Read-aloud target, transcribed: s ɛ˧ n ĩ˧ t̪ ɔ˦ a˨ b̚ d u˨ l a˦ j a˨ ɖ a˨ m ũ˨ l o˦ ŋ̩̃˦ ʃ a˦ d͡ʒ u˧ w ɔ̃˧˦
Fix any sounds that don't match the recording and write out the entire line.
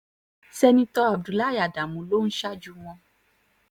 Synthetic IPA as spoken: s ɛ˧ n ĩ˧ t̪ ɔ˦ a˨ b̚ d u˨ l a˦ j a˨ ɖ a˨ m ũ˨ l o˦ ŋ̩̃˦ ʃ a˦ d͡ʒ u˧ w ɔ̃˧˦

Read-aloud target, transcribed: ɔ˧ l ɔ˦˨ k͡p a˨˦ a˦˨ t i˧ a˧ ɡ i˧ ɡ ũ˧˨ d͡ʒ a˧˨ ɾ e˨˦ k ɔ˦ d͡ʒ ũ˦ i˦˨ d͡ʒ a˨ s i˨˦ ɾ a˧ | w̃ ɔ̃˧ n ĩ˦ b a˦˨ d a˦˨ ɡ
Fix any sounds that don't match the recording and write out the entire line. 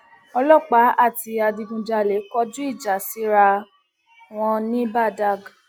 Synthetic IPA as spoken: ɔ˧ l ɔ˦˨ k͡p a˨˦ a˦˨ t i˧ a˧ d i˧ ɡ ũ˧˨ d͡ʒ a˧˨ l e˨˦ k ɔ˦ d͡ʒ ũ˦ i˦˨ d͡ʒ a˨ s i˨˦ ɾ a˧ | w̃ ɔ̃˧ n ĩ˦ b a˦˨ d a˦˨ ɡ

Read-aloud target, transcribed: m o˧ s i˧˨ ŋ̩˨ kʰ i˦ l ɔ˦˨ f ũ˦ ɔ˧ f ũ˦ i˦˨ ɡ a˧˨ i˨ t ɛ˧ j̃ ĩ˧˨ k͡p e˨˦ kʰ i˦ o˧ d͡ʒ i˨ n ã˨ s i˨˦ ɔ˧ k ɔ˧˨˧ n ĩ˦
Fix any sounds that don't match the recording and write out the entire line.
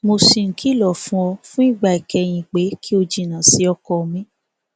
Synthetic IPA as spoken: m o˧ s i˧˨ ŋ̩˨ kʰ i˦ l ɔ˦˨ f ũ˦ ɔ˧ f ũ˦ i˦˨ ɡ͡b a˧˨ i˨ k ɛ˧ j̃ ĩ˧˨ k͡p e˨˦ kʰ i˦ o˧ d͡ʒ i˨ n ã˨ s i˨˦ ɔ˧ k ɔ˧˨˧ m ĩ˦

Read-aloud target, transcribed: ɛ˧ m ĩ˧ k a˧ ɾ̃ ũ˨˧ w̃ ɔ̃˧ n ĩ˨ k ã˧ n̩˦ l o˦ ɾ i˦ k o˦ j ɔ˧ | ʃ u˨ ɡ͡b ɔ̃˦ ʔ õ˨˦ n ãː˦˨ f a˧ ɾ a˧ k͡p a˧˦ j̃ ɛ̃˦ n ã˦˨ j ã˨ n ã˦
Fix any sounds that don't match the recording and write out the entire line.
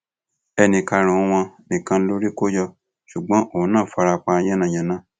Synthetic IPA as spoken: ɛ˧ n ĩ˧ k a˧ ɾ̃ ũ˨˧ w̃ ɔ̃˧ n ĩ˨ k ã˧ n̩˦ l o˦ ɾ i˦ k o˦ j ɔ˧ | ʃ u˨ ɡ͡b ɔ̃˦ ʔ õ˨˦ n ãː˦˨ f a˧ ɾ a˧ k͡p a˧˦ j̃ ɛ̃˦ n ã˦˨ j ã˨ n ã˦

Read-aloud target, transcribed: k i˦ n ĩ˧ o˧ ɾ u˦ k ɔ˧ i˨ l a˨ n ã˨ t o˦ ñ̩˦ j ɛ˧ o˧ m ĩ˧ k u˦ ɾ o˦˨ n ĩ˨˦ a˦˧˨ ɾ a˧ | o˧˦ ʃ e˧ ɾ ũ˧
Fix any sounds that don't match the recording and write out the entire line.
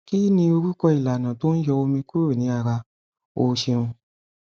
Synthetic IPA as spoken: k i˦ n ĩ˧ o˧ ɾ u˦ k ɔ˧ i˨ l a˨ n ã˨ t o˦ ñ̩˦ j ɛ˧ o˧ m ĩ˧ k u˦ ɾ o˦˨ n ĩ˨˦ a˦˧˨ ɾ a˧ | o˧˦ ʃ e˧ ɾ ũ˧

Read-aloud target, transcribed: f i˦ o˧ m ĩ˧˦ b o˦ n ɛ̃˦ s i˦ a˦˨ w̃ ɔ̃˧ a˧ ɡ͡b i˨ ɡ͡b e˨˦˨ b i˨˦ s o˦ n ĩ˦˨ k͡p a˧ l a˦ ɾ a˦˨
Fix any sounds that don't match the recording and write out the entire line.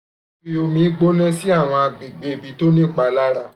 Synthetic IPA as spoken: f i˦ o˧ m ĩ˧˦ ɡ͡b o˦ n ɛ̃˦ s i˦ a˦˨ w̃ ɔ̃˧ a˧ ɡ͡b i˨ ɡ͡b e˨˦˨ b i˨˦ t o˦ n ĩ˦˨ k͡p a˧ l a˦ ɾ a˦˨

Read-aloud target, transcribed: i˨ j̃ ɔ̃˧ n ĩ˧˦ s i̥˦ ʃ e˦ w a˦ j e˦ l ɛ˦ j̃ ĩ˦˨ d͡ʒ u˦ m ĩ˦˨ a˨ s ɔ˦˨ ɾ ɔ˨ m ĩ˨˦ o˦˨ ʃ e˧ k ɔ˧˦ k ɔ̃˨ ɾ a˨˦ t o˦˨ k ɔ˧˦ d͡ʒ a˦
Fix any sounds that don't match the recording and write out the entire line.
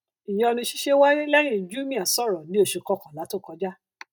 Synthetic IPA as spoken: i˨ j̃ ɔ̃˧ n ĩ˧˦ ʃ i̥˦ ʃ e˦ w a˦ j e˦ l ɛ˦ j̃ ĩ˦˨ d͡ʒ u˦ m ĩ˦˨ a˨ s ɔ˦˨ ɾ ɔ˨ n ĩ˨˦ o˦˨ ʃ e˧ k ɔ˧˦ k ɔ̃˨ l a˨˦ t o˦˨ k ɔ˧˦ d͡ʒ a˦

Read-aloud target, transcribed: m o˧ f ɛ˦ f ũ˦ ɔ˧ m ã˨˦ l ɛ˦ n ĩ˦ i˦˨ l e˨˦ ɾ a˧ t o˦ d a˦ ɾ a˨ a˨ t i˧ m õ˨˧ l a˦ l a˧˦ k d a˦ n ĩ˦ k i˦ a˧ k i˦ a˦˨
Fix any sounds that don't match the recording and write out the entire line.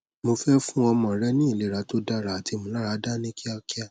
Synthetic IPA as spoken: m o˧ f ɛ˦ f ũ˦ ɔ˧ m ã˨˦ ɾ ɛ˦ n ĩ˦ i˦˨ l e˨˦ ɾ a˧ t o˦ d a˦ ɾ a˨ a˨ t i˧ m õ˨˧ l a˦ ɾ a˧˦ d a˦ n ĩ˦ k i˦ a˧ k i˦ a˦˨

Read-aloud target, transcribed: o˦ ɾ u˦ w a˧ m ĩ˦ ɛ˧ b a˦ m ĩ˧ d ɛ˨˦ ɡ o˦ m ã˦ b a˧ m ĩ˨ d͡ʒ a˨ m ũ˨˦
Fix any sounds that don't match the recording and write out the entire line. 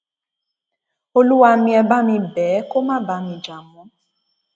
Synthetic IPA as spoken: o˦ l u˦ w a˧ m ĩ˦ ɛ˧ b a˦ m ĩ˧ b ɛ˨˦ k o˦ m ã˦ b a˧ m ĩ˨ d͡ʒ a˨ m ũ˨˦

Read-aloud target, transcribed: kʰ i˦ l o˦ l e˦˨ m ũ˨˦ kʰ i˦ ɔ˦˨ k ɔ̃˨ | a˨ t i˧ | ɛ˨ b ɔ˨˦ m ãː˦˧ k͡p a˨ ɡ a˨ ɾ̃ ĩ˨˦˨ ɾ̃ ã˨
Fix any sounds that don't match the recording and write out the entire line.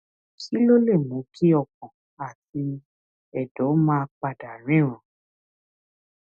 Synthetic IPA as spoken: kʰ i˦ l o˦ l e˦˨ m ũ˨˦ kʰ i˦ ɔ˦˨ k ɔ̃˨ | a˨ t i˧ | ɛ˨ d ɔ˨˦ m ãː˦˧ k͡p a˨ d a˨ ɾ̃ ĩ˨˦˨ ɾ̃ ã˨

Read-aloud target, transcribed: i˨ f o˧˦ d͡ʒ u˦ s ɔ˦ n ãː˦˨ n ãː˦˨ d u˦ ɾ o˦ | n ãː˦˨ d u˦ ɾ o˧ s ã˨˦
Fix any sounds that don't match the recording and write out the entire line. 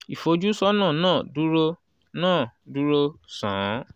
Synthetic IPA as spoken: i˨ f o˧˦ d͡ʒ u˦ s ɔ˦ n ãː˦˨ n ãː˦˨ d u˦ ɾ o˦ | n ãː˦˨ d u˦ ɾ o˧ s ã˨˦

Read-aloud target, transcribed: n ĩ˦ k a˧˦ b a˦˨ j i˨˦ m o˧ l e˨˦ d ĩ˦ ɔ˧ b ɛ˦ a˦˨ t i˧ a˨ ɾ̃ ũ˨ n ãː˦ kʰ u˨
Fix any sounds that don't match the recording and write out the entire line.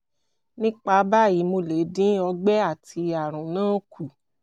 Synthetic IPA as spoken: n ĩ˦ k͡p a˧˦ b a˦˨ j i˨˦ m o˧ l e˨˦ d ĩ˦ ɔ˧ ɡ͡b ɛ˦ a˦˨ t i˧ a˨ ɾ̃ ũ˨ n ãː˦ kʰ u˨

